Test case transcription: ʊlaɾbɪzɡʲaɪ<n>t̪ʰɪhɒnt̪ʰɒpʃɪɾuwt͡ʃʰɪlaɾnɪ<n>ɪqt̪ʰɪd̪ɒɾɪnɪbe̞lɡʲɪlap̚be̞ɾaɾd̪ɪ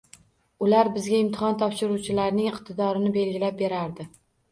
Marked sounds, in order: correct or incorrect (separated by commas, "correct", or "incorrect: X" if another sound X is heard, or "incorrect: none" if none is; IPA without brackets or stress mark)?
incorrect: m, incorrect: ŋ